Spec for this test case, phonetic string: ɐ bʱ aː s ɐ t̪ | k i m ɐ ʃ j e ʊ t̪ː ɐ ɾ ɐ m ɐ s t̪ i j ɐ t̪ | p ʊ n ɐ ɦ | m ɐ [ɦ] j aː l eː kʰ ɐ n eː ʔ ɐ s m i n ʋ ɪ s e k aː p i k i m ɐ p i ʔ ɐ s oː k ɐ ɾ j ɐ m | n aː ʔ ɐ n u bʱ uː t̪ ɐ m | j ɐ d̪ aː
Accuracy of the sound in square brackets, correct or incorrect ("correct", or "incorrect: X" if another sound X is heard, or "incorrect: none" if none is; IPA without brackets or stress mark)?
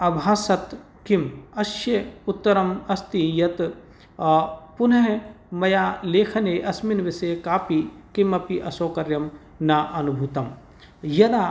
incorrect: none